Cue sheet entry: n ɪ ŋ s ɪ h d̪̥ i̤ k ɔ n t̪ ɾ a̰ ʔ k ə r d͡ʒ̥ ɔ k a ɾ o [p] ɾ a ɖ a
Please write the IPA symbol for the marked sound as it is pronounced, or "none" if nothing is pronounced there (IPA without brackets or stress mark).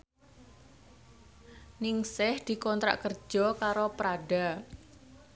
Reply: p